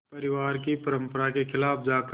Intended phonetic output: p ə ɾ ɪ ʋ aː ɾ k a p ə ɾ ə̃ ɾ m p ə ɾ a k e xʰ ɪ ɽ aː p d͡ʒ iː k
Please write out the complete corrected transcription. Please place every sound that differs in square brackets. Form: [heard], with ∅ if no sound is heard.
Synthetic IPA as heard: p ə ɾ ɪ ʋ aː ɾ k [i] p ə ɾ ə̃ [∅] m p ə ɾ a k e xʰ ɪ [l] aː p d͡ʒ [aː] k